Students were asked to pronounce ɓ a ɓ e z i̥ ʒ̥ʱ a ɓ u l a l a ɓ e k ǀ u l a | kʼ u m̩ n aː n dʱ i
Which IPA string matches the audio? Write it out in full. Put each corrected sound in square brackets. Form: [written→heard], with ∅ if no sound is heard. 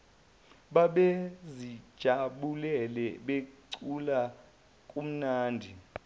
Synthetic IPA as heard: ɓ a ɓ e z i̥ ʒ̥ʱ a ɓ u l [a→ɛ] l [a→ɛ] ɓ e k ǀ u l a | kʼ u m̩ n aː n dʱ i